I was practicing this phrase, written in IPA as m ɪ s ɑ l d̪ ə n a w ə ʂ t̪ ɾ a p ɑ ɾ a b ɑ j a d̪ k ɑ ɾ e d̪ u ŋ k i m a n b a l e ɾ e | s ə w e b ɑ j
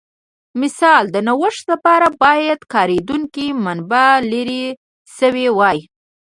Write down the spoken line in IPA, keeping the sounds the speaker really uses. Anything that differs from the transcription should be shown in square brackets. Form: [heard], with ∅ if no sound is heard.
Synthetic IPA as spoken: m ɪ s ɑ l d̪ ə n a w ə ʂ t̪ [l] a p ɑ ɾ a b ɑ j a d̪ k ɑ ɾ e d̪ u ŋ k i m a n b a l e ɾ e | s ə w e [w] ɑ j

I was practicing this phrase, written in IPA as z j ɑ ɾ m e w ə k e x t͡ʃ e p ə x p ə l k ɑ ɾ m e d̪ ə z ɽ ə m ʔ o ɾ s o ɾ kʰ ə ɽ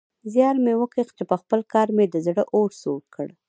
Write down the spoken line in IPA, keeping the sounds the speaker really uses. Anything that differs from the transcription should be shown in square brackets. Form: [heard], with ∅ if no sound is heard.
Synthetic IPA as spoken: z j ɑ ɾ m e w ə k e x t͡ʃ e p ə x p ə l k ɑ ɾ m e d̪ ə z ɽ ə [∅] ʔ o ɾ s o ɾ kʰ ə ɽ

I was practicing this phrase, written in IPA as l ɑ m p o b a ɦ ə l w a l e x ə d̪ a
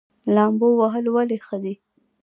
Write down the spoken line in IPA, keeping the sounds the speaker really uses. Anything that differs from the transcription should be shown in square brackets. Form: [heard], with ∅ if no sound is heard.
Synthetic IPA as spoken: l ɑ m [b] o [w] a ɦ ə l w a l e x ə d̪ [i]

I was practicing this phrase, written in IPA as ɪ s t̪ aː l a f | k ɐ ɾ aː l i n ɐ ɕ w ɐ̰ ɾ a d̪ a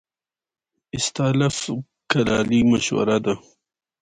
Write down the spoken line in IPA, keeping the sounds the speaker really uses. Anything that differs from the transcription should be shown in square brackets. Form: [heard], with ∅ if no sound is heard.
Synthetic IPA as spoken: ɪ s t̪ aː l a f | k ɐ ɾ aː l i [m] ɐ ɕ w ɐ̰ ɾ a d̪ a

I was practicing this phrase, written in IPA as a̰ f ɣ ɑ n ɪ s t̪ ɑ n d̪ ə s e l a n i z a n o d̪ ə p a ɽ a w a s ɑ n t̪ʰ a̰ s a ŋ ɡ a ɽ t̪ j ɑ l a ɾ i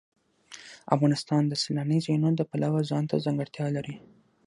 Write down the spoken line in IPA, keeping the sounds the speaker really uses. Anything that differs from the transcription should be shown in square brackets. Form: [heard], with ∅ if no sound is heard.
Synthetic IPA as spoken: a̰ f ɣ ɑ n ɪ s t̪ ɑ n d̪ ə s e l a n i z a n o d̪ ə p a [l] a w a [z] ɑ n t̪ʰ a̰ [z] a ŋ ɡ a ɽ t̪ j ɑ l a ɾ i

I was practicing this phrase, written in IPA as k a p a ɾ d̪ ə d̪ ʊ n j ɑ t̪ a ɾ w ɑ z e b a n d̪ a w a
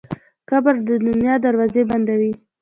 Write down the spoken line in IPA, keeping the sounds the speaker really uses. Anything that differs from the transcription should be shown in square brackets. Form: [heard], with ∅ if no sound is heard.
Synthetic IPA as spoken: k a [b] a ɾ d̪ ə d̪ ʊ n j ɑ [d̪] a ɾ w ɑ z e b a n d̪ a w [i]

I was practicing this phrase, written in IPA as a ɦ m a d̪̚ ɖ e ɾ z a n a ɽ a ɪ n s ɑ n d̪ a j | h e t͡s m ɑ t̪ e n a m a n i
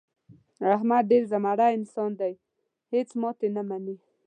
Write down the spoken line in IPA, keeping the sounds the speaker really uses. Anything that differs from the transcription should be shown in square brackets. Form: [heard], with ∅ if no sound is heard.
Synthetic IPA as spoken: a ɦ m a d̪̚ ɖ e ɾ z a [m] a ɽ a ɪ n s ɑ n d̪ a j | h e t͡s m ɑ t̪ e n a m a n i

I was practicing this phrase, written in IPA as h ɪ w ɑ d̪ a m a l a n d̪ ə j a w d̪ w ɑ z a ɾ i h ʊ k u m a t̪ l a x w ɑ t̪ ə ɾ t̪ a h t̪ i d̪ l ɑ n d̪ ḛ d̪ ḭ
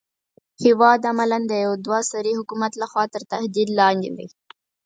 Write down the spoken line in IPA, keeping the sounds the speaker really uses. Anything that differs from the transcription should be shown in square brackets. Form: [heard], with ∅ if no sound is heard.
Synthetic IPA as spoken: h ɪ w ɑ d̪ a m a l a n d̪ ə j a w d̪ w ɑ [s] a ɾ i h ʊ k u m a t̪ l a x w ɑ t̪ ə ɾ t̪ a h [d̪] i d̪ l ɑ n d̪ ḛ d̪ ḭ

